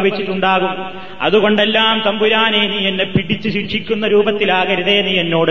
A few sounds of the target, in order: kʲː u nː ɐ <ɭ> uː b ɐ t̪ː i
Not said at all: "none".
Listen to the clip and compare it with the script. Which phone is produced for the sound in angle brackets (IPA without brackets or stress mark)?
ɾ